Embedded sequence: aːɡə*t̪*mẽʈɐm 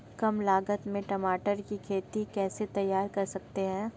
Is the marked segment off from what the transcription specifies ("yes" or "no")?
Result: no